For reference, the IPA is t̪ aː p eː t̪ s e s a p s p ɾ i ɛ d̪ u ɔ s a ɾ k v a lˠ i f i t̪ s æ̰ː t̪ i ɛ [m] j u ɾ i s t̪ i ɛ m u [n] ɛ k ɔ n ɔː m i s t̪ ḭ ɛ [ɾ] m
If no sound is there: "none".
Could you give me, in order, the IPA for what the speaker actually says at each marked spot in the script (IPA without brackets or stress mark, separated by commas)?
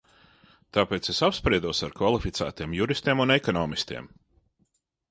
m, n, none